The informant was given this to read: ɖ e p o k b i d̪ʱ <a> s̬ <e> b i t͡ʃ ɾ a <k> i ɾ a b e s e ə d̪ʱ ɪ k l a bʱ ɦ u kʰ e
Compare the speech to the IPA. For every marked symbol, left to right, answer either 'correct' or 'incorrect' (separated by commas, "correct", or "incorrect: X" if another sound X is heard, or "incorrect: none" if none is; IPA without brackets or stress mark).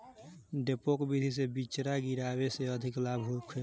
incorrect: i, correct, incorrect: ɡ